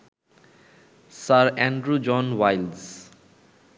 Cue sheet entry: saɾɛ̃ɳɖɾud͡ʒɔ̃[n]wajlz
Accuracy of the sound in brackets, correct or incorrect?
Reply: correct